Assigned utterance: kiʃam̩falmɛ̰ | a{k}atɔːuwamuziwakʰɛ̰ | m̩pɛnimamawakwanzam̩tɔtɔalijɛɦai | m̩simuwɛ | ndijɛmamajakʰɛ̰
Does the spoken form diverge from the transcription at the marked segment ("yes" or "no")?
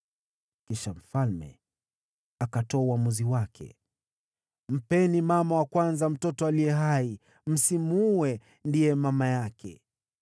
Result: no